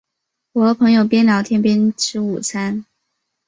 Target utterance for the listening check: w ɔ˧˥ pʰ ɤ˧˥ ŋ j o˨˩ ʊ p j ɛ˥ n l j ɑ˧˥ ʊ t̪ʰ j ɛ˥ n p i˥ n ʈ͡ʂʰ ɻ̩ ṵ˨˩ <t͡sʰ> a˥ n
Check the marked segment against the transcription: correct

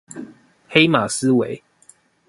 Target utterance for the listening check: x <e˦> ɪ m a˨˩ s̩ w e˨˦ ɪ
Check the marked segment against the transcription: correct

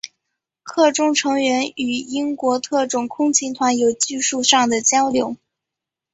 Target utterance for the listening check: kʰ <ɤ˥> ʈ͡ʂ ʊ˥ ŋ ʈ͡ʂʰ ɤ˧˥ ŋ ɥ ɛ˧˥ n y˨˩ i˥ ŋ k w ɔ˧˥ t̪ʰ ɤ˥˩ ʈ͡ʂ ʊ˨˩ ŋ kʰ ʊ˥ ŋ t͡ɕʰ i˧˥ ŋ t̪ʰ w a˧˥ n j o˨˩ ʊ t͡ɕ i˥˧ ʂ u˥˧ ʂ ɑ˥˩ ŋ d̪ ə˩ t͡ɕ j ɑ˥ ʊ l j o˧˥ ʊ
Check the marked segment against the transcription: incorrect: ɤ˥˩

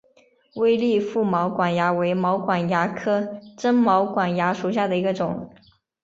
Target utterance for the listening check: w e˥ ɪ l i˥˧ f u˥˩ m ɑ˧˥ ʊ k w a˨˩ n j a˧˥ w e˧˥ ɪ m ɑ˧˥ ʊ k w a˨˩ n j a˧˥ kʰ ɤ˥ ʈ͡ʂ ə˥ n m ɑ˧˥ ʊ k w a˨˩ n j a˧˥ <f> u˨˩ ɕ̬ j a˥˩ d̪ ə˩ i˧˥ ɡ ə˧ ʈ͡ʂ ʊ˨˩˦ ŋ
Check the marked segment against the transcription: incorrect: ʂ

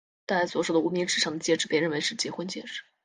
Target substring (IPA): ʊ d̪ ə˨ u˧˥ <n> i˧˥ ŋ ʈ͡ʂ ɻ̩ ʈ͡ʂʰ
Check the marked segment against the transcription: incorrect: m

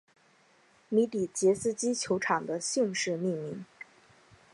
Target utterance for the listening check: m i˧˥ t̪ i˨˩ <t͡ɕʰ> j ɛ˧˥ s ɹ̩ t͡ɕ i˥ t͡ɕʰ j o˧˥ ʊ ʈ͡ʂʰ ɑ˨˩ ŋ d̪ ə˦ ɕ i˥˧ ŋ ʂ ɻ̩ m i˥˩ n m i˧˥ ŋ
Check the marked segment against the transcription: incorrect: t͡ɕ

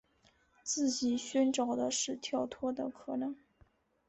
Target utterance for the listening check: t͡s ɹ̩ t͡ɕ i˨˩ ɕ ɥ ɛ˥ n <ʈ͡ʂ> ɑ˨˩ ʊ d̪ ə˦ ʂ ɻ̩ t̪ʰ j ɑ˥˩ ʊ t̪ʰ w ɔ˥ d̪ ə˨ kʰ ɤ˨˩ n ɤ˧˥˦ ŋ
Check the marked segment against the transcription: correct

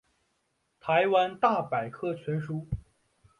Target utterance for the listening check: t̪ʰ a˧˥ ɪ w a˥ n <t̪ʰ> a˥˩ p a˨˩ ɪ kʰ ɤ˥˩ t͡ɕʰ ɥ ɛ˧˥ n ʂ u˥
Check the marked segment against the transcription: incorrect: t̪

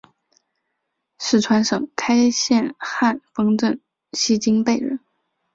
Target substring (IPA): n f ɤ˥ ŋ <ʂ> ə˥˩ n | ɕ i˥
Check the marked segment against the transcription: incorrect: ʈ͡ʂ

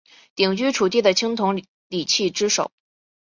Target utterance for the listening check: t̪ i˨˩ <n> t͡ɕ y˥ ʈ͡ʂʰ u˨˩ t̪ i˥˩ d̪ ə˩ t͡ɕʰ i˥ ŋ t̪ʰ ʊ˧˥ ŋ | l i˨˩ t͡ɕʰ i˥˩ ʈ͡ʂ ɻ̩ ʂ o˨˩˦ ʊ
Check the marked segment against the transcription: incorrect: ŋ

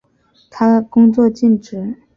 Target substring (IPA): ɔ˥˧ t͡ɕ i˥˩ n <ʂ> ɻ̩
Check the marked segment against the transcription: incorrect: ʈ͡ʂ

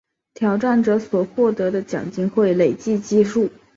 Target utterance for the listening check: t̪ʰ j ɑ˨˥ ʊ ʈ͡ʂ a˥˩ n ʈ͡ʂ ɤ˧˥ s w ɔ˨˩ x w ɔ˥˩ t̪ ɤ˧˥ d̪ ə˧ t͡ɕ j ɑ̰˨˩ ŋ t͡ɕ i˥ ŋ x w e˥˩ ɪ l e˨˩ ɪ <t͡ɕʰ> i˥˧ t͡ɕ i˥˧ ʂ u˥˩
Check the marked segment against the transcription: incorrect: t͡ɕ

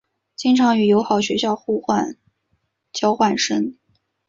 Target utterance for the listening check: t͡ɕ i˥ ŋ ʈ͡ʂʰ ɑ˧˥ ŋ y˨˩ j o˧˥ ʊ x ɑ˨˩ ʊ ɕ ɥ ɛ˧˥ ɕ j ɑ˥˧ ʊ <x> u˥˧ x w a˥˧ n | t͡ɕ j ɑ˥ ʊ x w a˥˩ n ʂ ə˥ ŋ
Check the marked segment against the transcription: correct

